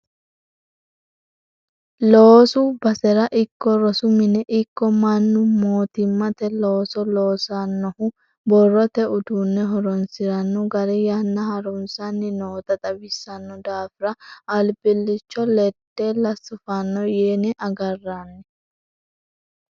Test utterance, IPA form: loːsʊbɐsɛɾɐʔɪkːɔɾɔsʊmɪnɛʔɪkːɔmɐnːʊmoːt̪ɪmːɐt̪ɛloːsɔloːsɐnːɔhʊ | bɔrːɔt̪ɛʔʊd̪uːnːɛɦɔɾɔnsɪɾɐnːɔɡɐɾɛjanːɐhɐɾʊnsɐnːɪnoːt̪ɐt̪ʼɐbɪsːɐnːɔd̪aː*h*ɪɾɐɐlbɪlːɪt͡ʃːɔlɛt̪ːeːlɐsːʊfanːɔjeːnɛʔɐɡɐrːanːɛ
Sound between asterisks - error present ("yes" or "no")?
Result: yes